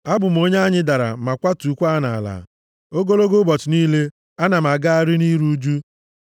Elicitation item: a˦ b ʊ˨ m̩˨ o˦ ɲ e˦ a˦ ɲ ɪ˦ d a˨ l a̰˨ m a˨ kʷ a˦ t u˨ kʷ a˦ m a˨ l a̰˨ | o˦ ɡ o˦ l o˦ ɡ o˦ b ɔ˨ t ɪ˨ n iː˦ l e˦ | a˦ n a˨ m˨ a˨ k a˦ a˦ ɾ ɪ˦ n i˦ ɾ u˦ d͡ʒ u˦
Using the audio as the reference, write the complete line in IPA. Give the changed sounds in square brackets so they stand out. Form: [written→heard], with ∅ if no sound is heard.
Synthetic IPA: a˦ b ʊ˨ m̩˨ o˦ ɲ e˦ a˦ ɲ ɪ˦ d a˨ [l→ɾ] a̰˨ m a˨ kʷ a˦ t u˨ kʷ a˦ [m→n] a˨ l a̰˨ | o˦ ɡ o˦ l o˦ ɡ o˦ b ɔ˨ t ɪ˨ n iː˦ l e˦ | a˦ n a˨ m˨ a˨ [k→ɡ] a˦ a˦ ɾ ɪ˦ n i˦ ɾ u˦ d͡ʒ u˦